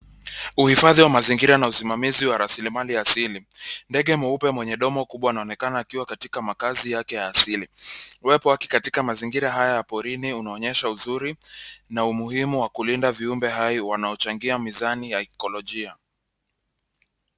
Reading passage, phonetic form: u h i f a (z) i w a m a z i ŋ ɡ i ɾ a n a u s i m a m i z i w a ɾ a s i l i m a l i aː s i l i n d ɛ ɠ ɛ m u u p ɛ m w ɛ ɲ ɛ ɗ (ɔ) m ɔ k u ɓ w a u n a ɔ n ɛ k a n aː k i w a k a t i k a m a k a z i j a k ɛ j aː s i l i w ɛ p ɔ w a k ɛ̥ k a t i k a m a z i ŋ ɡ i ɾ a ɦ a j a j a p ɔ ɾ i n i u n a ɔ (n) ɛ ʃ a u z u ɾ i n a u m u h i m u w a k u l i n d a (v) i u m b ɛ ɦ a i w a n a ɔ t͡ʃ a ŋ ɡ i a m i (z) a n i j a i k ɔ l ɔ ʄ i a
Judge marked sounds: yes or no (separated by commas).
no, yes, no, yes, yes